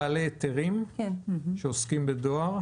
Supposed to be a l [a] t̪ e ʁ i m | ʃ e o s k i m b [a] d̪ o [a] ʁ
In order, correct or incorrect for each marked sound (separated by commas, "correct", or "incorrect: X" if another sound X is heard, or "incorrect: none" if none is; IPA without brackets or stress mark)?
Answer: incorrect: e, incorrect: e, correct